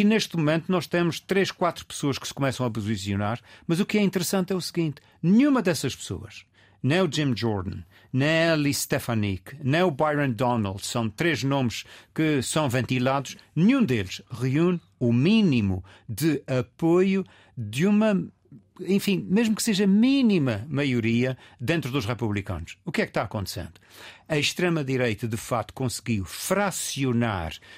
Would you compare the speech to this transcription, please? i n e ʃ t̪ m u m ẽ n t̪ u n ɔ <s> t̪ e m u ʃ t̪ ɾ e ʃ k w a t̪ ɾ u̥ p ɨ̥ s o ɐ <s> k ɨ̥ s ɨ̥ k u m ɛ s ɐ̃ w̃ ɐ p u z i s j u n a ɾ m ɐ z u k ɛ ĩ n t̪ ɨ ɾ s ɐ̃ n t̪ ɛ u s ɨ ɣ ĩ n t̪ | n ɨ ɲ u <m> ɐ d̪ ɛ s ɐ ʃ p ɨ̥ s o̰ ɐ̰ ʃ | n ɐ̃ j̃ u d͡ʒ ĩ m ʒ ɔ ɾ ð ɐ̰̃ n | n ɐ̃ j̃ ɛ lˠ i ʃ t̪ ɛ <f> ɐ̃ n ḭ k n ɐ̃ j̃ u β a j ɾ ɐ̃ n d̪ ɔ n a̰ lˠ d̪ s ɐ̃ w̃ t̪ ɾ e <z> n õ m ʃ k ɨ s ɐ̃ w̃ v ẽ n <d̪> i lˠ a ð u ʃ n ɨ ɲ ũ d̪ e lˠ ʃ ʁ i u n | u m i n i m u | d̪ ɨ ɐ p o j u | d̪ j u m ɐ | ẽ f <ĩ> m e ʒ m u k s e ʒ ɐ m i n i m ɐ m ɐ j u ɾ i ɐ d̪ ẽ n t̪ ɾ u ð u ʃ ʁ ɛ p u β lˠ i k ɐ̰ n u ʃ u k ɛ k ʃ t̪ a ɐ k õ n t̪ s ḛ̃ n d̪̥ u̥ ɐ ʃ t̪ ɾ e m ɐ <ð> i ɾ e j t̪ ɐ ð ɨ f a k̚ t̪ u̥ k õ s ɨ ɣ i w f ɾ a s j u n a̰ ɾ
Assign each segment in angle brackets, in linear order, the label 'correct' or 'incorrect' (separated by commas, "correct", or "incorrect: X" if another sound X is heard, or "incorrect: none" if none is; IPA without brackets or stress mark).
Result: incorrect: ʃ, incorrect: ʃ, correct, correct, incorrect: ʒ, incorrect: t̪, correct, correct